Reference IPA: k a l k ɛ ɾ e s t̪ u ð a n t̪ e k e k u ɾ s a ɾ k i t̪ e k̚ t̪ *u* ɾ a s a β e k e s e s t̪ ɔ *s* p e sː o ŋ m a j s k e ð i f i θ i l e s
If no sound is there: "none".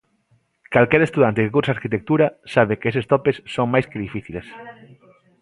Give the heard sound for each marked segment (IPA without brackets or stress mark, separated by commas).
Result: u, none